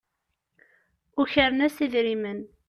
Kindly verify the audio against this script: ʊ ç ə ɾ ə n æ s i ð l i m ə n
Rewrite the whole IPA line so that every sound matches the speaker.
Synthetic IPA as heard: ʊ ç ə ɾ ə n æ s i ð ɾ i m ə n